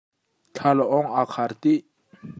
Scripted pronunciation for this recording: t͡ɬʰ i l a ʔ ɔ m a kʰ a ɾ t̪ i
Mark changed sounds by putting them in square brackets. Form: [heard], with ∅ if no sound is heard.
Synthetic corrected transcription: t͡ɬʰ [a] l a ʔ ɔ [ŋ] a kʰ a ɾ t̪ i